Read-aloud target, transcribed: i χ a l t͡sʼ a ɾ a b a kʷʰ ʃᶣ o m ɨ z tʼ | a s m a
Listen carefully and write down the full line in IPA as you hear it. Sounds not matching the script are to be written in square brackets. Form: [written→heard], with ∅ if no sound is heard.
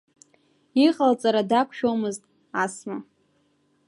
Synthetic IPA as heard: i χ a l t͡sʼ a ɾ a [b→d] a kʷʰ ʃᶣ o m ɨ z tʼ | a s m a